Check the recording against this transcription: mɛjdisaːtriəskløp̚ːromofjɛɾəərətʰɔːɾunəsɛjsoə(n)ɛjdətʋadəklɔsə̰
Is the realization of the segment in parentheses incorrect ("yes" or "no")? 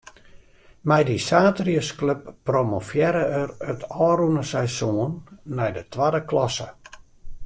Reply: yes